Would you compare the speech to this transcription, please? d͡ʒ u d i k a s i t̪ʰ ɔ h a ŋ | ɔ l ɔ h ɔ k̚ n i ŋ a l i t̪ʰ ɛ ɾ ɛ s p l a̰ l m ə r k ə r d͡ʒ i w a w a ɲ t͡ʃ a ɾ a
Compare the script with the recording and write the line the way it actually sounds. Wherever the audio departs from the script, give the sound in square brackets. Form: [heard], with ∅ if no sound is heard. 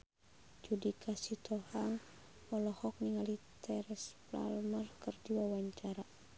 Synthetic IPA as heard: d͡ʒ u d i k a s i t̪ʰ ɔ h a ŋ | ɔ l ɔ h ɔ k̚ n i ŋ a l i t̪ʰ ɛ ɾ ɛ s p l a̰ l m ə r k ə r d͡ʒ i w a w a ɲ t͡ʃ a ɾ a